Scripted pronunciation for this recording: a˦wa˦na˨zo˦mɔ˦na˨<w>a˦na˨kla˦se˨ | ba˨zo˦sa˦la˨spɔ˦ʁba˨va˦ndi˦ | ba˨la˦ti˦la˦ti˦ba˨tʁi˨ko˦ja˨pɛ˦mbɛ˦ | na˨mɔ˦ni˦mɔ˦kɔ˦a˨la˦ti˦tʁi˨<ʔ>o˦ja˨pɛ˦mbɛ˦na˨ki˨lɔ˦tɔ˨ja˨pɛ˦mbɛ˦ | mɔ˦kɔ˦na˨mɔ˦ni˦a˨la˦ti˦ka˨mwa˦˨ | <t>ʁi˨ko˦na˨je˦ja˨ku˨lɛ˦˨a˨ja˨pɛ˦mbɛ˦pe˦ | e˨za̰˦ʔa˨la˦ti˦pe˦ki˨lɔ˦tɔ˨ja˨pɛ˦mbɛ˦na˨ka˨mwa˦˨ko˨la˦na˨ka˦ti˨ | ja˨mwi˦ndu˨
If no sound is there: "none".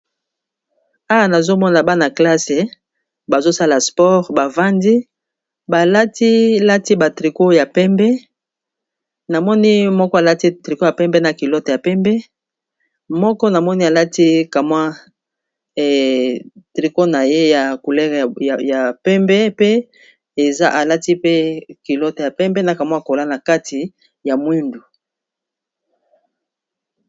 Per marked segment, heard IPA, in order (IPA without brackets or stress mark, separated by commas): b, k, t